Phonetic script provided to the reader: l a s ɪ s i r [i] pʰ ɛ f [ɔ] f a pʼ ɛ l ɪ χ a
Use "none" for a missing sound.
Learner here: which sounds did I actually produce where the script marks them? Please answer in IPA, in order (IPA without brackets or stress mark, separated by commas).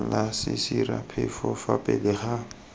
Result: a, ɔ